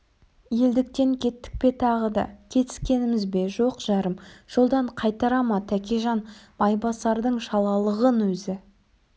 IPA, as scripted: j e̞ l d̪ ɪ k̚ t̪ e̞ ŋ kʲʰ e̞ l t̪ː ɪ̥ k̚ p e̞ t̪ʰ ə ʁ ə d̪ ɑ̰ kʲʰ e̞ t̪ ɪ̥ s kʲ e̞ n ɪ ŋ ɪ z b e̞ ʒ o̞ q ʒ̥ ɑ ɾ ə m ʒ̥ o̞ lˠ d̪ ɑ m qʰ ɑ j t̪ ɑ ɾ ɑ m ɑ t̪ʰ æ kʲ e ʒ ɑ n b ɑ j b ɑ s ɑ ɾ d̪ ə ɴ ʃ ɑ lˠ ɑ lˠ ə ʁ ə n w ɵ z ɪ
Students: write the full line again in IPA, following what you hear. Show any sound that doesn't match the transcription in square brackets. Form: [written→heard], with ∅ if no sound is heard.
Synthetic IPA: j e̞ l d̪ ɪ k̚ t̪ e̞ ŋ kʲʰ e̞ [l→∅] t̪ː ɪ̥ k̚ p e̞ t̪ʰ [ə→ɑ] ʁ ə d̪ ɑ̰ kʲʰ e̞ t̪ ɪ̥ s kʲ e̞ n ɪ [ŋ→m] ɪ z b e̞ ʒ o̞ q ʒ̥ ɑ ɾ ə m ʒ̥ o̞ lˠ d̪ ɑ [m→ɴ] qʰ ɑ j t̪ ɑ ɾ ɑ m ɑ t̪ʰ æ kʲ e ʒ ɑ n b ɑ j b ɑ s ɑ ɾ d̪ ə ɴ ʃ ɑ lˠ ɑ lˠ ə ʁ ə n w ɵ z ɪ

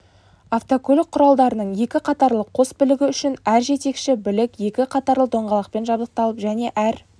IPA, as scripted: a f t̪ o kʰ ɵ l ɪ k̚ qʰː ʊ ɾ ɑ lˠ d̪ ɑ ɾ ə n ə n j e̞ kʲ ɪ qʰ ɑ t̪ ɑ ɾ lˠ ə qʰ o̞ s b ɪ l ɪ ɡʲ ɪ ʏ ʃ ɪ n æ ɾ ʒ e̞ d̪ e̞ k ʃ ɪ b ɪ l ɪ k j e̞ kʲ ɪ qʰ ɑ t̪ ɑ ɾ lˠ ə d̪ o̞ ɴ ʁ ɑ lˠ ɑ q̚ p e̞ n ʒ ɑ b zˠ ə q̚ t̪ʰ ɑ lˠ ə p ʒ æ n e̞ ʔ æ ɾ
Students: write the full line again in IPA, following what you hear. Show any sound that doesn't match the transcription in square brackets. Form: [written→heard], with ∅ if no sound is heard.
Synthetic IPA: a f t̪ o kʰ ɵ l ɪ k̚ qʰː ʊ ɾ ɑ lˠ d̪ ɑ ɾ ə n ə [n→ɴ] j e̞ kʲ ɪ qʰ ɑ t̪ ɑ ɾ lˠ ə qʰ o̞ s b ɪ l ɪ ɡʲ ɪ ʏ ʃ ɪ n æ ɾ ʒ e̞ [d̪→t̪] e̞ k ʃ ɪ b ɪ l ɪ k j e̞ kʲ ɪ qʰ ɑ t̪ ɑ ɾ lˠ ə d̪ o̞ ɴ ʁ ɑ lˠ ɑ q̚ p e̞ n ʒ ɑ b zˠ ə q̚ [t̪ʰ→t̪] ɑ lˠ ə p ʒ æ n e̞ ʔ æ ɾ

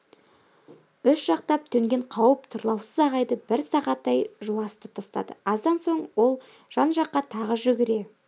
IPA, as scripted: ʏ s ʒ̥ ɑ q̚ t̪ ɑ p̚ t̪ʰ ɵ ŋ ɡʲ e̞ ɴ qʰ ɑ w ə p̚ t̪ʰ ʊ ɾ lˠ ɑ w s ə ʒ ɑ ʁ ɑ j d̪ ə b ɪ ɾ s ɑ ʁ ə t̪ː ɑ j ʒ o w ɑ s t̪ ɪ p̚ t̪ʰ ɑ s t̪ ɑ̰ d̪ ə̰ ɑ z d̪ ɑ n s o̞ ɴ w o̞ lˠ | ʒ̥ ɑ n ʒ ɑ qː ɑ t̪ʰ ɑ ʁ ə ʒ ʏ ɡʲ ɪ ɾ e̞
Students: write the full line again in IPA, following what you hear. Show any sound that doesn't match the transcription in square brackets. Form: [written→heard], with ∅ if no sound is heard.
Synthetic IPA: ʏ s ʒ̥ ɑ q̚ t̪ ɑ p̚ t̪ʰ ɵ ŋ ɡʲ e̞ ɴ qʰ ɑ w ə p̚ t̪ʰ ʊ ɾ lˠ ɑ w s ə [ʒ→z] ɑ ʁ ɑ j d̪ ə b ɪ ɾ s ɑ ʁ [ə→ɑ] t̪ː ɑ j ʒ [o→u] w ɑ s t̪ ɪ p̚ t̪ʰ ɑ s t̪ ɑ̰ d̪ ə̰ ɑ z d̪ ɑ n s o̞ ɴ w o̞ lˠ | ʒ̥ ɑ n ʒ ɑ qː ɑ t̪ʰ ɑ ʁ ə ʒ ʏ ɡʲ ɪ ɾ e̞

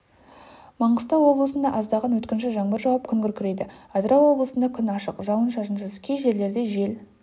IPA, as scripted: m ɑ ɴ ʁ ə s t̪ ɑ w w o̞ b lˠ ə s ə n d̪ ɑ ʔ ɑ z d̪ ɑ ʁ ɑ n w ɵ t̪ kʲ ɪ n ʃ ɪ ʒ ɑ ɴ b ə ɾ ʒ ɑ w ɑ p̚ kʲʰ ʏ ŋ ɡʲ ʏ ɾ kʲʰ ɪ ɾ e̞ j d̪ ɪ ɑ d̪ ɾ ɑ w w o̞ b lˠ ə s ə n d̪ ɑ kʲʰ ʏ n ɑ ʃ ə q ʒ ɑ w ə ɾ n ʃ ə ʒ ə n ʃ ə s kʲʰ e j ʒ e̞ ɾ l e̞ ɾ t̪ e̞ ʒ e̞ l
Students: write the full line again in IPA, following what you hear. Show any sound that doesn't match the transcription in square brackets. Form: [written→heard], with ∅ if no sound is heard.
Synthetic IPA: m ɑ ɴ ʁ ə s t̪ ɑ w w o̞ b lˠ ə s ə n d̪ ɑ ʔ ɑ z d̪ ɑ ʁ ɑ n w ɵ t̪ kʲ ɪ n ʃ ɪ ʒ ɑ ɴ b ə ɾ ʒ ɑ w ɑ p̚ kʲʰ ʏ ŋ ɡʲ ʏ ɾ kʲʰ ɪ ɾ e̞ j d̪ ɪ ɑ d̪ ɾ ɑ w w o̞ b lˠ ə s ə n d̪ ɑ kʲʰ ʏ n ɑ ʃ ə q ʒ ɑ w ə [ɾ→∅] n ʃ [ə→ɑ] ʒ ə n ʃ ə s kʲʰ e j ʒ e̞ ɾ l e̞ ɾ [t̪→d̪] e̞ ʒ e̞ l

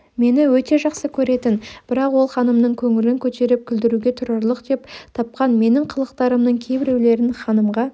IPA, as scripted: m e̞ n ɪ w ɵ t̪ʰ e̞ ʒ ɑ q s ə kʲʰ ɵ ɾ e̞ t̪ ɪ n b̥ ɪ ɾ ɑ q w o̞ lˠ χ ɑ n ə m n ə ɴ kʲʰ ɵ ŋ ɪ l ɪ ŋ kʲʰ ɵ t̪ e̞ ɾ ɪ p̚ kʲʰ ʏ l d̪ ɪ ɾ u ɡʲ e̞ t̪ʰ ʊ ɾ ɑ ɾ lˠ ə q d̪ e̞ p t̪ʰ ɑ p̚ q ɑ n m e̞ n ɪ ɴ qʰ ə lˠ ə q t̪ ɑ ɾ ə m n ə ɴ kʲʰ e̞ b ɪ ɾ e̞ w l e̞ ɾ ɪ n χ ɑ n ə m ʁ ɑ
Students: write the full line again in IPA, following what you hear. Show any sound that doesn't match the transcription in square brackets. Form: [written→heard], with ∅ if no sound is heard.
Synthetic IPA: m e̞ n ɪ w ɵ [t̪ʰ→t̪] e̞ ʒ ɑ q s ə kʲʰ ɵ ɾ e̞ t̪ ɪ n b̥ ɪ ɾ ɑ q w o̞ lˠ χ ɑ n ə m n ə ɴ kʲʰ ɵ ŋ ɪ l ɪ ŋ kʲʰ ɵ t̪ e̞ ɾ ɪ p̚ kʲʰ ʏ l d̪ ɪ ɾ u ɡʲ e̞ t̪ʰ ʊ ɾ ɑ ɾ lˠ ə q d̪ e̞ p t̪ʰ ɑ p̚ q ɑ n m e̞ n ɪ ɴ qʰ ə lˠ ə q t̪ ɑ ɾ ə m n ə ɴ kʲʰ e̞ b ɪ ɾ e̞ w l e̞ ɾ ɪ n χ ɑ n ə m ʁ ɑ

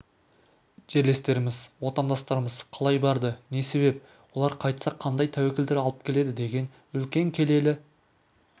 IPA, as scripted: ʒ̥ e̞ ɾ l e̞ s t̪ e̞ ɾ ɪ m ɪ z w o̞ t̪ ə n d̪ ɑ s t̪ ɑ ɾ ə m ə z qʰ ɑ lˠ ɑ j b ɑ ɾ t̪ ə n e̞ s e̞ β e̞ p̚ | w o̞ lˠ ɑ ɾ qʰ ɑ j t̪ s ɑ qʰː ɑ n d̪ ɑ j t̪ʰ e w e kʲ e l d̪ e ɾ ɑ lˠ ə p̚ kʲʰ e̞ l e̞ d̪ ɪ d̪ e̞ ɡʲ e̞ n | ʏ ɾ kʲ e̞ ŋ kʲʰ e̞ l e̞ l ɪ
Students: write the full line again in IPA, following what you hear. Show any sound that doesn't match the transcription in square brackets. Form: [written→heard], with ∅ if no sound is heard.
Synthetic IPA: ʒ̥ e̞ ɾ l e̞ s t̪ e̞ ɾ ɪ m ɪ z w o̞ t̪ [ə→ɑ] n d̪ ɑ s t̪ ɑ ɾ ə m ə z qʰ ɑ lˠ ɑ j b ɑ ɾ [t̪→d̪] ə n e̞ s e̞ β e̞ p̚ | w o̞ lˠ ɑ ɾ qʰ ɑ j t̪ s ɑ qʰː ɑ n d̪ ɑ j t̪ʰ [e→æ] w e kʲ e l d̪ e ɾ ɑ lˠ ə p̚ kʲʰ e̞ l e̞ d̪ ɪ d̪ e̞ ɡʲ e̞ n | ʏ [ɾ→l] kʲ e̞ ŋ kʲʰ e̞ l e̞ l ɪ

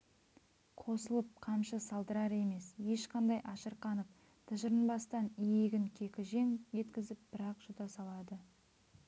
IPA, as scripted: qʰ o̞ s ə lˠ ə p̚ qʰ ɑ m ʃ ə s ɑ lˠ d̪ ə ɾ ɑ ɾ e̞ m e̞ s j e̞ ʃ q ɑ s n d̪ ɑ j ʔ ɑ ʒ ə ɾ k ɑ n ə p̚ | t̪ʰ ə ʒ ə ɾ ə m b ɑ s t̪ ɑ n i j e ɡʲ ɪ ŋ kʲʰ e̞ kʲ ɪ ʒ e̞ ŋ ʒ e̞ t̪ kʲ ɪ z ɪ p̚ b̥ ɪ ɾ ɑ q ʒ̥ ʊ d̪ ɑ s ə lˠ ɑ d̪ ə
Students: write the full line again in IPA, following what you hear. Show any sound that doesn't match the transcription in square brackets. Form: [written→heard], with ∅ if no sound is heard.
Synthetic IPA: qʰ o̞ s ə lˠ ə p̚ qʰ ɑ m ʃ ə s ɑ lˠ d̪ ə ɾ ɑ ɾ e̞ m e̞ s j e̞ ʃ q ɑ [s→∅] n d̪ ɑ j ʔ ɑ [ʒ→ʃ] ə ɾ [k→q] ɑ n ə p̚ | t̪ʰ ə ʒ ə ɾ ə [m→n] b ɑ s t̪ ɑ n i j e ɡʲ ɪ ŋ kʲʰ e̞ kʲ ɪ ʒ e̞ ŋ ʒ e̞ t̪ kʲ ɪ z ɪ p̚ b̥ ɪ ɾ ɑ q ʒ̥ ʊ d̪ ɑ s [ə→ɑ] lˠ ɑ d̪ ə

